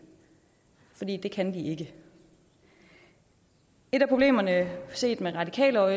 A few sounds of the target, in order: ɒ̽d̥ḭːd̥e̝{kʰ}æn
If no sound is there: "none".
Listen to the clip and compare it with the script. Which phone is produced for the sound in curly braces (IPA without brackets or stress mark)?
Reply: kʰ